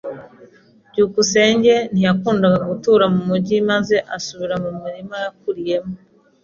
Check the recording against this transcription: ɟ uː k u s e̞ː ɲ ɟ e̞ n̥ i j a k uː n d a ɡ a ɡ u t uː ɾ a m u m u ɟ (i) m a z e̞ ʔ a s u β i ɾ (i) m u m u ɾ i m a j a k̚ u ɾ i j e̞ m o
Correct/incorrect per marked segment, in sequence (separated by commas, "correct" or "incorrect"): correct, incorrect